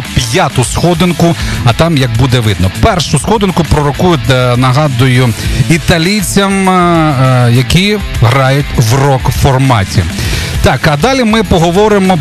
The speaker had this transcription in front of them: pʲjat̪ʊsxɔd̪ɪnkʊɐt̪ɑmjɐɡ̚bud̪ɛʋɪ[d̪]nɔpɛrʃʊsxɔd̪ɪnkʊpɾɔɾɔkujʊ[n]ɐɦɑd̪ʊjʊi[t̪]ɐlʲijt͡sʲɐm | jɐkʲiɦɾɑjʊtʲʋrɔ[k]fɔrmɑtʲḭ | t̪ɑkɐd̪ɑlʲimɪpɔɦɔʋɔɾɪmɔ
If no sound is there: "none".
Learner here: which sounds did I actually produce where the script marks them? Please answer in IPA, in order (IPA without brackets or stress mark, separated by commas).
d̪, n, t̪, k